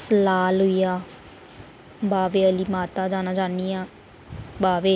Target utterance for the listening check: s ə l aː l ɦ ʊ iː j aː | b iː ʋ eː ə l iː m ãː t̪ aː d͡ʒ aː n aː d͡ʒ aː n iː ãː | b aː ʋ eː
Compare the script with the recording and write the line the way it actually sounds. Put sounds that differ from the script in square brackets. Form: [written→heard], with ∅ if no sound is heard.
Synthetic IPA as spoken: s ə l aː l ɦ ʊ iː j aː | b [iː→aː] ʋ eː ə l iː m [ãː→aː] t̪ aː d͡ʒ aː n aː d͡ʒ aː n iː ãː | b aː ʋ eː

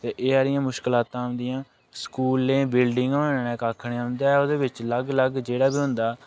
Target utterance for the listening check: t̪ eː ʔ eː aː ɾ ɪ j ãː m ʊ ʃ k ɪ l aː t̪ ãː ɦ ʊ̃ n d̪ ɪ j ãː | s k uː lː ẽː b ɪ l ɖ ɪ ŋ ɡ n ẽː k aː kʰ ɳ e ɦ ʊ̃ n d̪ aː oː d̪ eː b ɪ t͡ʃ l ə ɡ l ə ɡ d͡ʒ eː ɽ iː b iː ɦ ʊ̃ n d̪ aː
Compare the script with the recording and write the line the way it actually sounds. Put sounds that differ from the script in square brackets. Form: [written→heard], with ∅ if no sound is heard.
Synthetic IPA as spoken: t̪ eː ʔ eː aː ɾ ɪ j ãː m ʊ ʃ k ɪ l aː t̪ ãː ɦ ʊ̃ n d̪ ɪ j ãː | s k uː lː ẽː b ɪ l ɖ ɪ ŋ ɡ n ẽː k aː kʰ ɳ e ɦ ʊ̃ n d̪ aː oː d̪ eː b ɪ t͡ʃ l ə ɡ l ə ɡ d͡ʒ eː ɽ [iː→aː] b iː ɦ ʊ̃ n d̪ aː

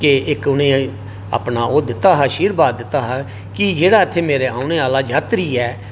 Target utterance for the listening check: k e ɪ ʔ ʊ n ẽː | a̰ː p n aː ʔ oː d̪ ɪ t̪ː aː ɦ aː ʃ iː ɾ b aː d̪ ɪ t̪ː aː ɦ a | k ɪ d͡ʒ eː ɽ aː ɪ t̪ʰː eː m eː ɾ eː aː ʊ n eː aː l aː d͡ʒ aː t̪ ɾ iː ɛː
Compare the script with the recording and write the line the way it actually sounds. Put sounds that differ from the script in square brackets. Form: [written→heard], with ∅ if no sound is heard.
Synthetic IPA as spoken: k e ɪ [ʔ→k] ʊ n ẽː | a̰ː p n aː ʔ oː d̪ ɪ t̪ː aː ɦ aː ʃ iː ɾ b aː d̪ ɪ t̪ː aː ɦ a | k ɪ d͡ʒ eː ɽ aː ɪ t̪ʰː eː m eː ɾ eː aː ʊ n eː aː l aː d͡ʒ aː t̪ ɾ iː ɛː

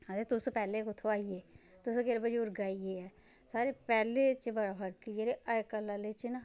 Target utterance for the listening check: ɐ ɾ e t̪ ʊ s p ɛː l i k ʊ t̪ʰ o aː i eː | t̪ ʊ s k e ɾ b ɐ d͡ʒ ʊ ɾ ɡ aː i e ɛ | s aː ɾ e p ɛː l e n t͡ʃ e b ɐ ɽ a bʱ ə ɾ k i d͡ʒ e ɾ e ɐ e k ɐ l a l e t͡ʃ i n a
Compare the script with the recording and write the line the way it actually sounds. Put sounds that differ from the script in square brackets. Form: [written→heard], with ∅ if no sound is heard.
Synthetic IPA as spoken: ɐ ɾ e t̪ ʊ s p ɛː l [i→e] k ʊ t̪ʰ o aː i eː | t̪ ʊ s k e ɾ b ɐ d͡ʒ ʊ ɾ ɡ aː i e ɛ | s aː ɾ e p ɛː l e [n→∅] t͡ʃ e b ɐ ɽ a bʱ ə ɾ k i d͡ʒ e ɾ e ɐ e k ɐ l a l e t͡ʃ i n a

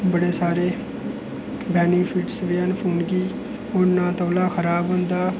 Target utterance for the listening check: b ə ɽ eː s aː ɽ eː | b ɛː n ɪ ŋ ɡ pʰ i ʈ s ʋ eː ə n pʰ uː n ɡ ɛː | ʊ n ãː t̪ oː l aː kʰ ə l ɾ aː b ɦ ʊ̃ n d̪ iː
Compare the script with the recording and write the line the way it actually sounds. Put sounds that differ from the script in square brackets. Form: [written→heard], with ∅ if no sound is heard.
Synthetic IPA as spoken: b ə ɽ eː s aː [ɽ→ɾ] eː | b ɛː n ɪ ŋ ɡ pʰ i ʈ s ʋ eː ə n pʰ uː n ɡ [ɛː→iː] | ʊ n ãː t̪ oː l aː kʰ ə [l→∅] ɾ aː b ɦ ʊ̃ n d̪ [iː→aː]

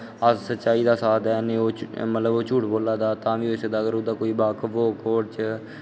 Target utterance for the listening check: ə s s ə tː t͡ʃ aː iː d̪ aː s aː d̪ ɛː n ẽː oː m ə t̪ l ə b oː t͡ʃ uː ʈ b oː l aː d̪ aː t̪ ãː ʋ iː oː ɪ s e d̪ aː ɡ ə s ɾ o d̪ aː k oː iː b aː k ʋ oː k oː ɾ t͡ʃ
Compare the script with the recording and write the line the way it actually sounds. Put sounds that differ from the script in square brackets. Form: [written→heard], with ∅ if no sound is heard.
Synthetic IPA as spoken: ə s s ə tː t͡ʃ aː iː d̪ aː s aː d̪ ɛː n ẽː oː m ə t̪ l ə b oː t͡ʃ uː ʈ b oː l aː d̪ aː t̪ ãː ʋ iː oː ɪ s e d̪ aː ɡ ə [s→∅] ɾ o d̪ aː k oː iː b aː k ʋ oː k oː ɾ t͡ʃ

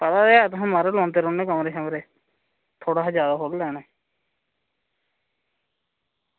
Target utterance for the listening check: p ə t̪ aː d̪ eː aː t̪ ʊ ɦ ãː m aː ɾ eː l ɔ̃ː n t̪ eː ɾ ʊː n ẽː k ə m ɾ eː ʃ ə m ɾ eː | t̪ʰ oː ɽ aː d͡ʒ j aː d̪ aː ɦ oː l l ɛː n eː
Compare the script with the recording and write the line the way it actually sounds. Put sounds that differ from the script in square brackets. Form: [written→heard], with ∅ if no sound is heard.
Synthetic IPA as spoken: p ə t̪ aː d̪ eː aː t̪ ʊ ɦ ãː m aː ɾ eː l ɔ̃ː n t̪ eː ɾ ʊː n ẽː k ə m ɾ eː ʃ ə m ɾ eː | t̪ʰ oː ɽ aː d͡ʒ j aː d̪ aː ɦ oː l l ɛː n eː

